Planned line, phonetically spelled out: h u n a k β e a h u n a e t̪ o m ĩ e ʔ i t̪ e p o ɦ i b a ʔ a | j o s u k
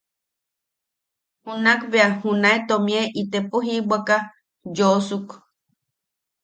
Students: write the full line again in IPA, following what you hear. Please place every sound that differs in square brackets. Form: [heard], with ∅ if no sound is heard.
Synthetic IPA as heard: h u n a k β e a h u n a e t̪ o m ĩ e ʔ i t̪ e p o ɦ i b a [k] a | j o s u k